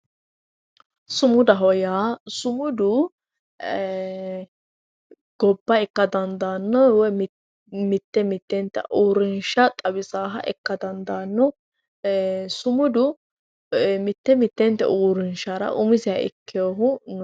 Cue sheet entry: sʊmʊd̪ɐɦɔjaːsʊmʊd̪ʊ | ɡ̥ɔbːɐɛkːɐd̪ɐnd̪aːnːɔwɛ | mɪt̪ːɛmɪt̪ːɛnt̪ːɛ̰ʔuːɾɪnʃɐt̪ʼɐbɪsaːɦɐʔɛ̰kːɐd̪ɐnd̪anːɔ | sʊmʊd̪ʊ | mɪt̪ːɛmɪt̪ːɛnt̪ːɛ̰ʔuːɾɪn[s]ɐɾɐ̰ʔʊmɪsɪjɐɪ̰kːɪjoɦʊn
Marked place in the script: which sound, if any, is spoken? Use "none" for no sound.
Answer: ʃ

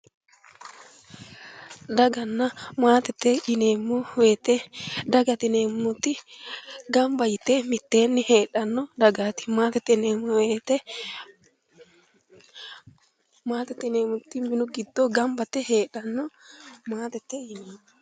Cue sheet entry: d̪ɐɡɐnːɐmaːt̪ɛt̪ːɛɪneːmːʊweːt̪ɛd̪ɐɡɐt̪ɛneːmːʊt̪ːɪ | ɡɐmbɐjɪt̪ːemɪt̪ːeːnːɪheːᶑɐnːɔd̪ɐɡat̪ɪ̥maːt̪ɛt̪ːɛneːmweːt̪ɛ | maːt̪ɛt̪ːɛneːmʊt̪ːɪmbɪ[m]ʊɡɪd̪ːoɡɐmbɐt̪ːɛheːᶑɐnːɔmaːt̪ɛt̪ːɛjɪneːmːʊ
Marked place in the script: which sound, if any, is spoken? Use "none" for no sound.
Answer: n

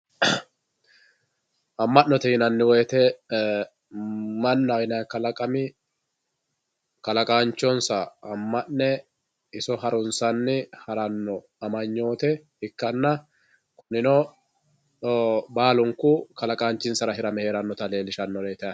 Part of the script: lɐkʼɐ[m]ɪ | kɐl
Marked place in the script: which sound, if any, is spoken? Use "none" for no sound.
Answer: m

